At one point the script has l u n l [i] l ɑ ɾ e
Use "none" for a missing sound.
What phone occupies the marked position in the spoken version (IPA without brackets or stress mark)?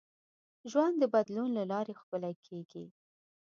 a